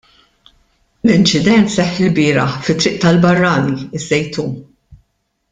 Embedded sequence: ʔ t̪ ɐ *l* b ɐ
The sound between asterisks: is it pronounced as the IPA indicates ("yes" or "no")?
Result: yes